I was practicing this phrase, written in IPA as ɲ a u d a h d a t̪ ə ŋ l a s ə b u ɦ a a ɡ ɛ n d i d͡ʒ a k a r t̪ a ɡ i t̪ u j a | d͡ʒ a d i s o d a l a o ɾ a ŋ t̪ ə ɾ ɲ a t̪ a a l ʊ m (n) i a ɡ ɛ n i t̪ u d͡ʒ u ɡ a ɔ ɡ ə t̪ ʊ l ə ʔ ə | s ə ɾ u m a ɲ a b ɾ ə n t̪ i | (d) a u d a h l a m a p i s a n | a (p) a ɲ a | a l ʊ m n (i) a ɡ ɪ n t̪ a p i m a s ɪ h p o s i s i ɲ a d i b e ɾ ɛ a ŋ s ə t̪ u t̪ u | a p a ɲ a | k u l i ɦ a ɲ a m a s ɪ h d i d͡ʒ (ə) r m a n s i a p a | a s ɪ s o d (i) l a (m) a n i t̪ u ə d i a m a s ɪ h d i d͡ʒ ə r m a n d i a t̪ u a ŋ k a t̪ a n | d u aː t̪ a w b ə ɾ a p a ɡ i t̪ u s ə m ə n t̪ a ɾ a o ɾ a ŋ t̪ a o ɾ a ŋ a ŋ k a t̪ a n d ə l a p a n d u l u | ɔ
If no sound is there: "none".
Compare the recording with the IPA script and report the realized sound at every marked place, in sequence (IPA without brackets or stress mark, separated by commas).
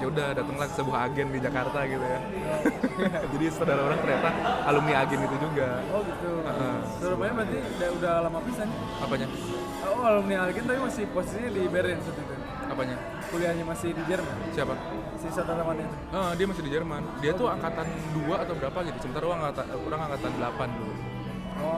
n, d, p, i, ə, a, m